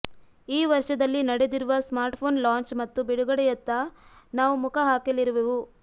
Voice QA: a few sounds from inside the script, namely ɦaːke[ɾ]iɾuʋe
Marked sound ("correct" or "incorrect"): incorrect